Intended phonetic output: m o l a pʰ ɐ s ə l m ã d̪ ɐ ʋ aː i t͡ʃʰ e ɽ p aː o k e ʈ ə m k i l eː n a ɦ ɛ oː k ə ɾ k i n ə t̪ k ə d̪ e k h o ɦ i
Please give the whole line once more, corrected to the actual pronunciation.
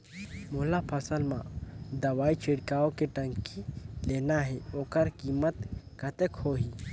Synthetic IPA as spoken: m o l a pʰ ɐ s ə l m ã d̪ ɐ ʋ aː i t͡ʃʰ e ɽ k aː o k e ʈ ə ŋ k i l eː n a ɦ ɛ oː k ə ɾ k i m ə t̪ k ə t̪ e k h o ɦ i